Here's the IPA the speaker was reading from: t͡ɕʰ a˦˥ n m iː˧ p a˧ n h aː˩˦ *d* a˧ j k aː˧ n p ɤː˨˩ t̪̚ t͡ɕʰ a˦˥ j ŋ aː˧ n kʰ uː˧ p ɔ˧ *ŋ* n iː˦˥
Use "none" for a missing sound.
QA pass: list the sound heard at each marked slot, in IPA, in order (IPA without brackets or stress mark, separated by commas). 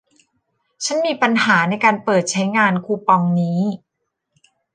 n, ŋ